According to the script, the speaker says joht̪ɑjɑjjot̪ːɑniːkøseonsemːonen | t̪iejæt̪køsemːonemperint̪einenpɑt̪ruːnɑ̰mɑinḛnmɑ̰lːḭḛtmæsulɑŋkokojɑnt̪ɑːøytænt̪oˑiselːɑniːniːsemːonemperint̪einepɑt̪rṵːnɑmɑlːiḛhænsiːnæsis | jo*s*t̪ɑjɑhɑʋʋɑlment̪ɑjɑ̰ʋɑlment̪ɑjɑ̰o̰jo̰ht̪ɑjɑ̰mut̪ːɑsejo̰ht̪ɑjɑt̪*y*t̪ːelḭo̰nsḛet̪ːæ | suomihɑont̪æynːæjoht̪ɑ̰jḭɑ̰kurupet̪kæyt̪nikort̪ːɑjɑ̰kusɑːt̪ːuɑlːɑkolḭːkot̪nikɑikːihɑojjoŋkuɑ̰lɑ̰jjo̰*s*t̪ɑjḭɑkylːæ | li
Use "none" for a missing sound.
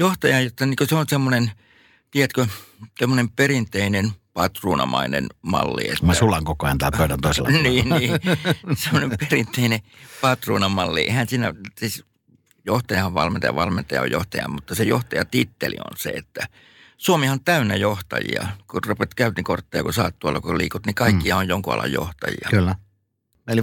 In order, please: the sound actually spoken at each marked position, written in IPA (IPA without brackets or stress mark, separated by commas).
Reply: h, i, h